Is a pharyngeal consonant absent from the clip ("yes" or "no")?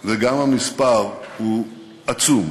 yes